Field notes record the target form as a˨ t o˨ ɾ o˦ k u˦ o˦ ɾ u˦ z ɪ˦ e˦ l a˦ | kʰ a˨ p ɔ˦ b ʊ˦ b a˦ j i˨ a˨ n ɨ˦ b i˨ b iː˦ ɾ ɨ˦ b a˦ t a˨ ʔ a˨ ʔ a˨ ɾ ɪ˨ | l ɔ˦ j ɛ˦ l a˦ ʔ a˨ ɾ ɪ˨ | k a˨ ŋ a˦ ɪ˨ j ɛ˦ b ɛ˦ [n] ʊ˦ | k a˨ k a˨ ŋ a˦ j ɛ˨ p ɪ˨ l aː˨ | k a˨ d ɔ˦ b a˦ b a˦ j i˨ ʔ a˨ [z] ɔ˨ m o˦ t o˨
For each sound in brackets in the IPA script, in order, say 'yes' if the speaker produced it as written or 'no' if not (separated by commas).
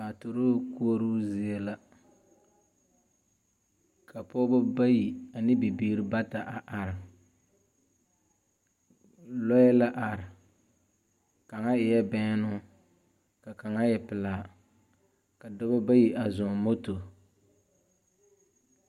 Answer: yes, yes